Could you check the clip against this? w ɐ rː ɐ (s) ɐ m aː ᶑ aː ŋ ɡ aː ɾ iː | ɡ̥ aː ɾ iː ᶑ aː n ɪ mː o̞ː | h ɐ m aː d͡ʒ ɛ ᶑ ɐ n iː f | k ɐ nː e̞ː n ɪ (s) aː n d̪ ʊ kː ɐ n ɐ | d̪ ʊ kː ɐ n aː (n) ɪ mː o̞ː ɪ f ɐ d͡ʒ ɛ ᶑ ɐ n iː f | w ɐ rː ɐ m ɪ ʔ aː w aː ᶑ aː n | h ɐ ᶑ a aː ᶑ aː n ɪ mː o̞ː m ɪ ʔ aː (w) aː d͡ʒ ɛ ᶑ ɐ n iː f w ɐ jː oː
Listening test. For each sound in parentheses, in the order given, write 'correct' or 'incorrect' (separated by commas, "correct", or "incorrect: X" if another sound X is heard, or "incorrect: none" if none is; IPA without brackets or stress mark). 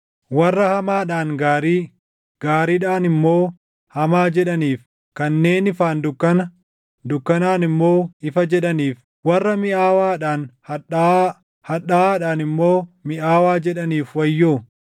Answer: incorrect: h, incorrect: f, correct, correct